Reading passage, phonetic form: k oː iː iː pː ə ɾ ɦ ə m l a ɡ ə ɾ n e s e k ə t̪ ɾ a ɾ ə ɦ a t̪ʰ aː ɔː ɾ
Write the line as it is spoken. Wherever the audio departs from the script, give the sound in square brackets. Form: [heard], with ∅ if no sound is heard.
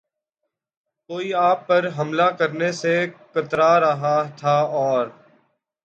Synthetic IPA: k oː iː [aː] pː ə ɾ ɦ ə m l a [k] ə ɾ n e s e k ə t̪ ɾ a ɾ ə ɦ a t̪ʰ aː ɔː ɾ